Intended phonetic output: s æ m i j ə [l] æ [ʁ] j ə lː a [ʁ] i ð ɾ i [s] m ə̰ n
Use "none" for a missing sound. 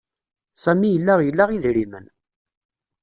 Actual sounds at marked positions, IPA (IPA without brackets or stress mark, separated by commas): lː, ʁ, ʁ, none